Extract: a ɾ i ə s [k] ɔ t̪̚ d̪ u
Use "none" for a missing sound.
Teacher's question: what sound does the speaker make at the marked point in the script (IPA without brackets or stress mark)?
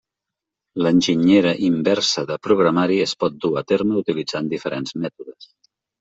p